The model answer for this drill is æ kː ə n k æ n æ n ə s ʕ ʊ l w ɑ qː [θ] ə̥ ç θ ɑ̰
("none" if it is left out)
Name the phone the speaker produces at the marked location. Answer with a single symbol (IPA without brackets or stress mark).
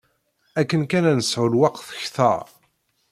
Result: θ